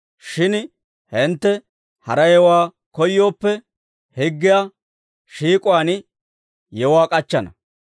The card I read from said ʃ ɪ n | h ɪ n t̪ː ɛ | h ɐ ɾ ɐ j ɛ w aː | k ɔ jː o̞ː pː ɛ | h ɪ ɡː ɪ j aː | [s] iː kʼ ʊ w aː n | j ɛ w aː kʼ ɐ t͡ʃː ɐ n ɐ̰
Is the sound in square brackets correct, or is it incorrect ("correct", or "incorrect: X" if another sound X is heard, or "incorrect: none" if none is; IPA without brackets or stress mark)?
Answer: incorrect: ʃ